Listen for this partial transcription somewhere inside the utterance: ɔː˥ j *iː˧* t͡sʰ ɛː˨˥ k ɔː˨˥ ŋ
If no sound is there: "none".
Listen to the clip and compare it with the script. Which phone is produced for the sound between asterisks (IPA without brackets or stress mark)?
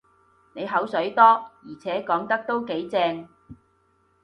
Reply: iː˨˩